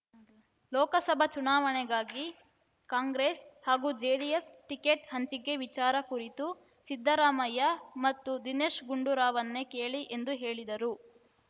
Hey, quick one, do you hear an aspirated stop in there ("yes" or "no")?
no